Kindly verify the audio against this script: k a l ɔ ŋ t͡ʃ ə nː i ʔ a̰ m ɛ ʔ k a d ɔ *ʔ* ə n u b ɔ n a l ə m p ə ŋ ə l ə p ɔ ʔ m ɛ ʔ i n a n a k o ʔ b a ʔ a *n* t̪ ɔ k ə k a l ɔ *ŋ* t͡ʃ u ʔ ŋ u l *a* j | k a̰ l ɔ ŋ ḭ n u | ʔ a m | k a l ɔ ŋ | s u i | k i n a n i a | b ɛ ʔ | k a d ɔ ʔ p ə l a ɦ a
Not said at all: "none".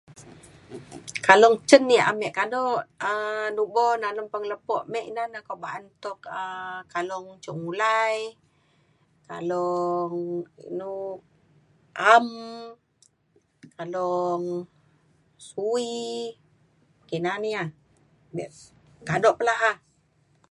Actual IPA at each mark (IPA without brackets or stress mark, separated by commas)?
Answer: ʔ, n, ŋ, a